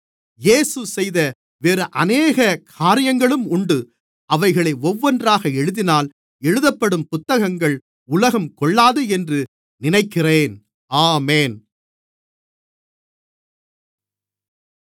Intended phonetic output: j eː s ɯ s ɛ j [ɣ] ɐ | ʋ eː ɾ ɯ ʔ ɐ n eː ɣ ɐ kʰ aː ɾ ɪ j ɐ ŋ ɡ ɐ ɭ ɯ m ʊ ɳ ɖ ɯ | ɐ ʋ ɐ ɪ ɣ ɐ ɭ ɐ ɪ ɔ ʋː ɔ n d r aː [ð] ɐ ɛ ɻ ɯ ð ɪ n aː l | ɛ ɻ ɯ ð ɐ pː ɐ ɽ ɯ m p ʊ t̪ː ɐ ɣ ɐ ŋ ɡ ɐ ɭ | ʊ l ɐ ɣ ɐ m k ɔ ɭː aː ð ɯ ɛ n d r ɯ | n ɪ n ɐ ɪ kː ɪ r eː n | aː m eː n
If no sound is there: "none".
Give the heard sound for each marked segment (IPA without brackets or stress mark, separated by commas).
ð, ɣ